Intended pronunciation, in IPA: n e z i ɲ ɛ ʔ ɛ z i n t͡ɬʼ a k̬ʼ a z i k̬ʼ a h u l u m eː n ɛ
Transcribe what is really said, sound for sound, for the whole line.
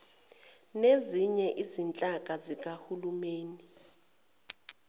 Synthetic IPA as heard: n e z i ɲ ɛ ʔ i z i n t͡ɬʼ a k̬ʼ a z i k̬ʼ a h u l u m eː n i